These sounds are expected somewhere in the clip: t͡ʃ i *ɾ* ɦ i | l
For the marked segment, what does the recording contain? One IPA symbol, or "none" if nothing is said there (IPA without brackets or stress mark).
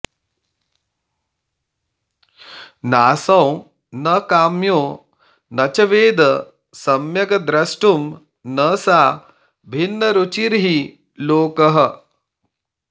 ɾ